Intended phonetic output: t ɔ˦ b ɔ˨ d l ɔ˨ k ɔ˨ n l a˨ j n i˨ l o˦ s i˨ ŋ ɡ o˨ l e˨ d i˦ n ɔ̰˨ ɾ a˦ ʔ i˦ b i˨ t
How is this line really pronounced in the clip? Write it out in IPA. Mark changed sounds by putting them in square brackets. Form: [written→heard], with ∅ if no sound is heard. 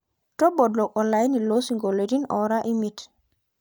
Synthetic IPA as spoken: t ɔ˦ b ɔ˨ d l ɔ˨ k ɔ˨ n l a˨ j n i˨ l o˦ s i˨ ŋ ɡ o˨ l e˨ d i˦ n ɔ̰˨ ɾ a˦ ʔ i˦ [b→m] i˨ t